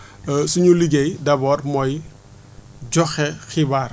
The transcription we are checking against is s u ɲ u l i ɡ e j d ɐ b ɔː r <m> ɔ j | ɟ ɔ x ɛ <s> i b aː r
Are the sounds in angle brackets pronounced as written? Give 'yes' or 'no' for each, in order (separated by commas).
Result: yes, no